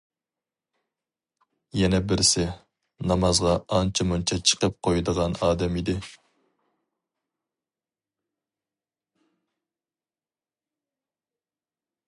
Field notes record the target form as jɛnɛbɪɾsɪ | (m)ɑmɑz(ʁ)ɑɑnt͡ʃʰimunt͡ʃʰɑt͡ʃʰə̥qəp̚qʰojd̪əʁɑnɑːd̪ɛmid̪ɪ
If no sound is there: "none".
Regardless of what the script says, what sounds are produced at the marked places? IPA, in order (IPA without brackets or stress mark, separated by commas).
n, ʁ